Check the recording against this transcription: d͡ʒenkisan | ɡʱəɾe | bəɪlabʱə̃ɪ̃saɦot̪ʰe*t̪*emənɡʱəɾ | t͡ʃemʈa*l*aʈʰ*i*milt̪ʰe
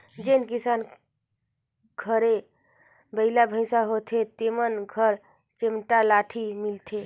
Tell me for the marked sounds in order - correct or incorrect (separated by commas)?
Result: correct, correct, correct